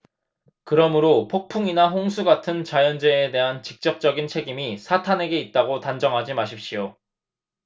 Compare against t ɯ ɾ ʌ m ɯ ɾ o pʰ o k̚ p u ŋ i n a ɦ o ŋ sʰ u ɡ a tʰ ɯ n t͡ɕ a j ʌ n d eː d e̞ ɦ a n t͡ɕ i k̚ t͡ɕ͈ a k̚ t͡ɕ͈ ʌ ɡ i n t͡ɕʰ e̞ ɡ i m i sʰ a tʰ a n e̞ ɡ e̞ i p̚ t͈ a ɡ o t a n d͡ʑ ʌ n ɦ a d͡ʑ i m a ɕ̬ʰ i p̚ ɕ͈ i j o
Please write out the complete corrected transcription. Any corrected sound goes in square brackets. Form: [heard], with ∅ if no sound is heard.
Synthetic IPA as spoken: [k] ɯ ɾ ʌ m ɯ ɾ o pʰ o k̚ [pʰ] u ŋ i n a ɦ o ŋ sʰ u ɡ a tʰ ɯ n t͡ɕ a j ʌ n [d͡ʑ] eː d e̞ ɦ a n t͡ɕ i k̚ t͡ɕ͈ [ʌ] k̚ t͡ɕ͈ ʌ ɡ i n t͡ɕʰ e̞ ɡ i m i sʰ a tʰ a n e̞ ɡ e̞ i [t̚] t͈ a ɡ o t a n d͡ʑ ʌ [ŋ] ɦ a d͡ʑ i m a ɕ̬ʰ i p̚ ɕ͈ i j o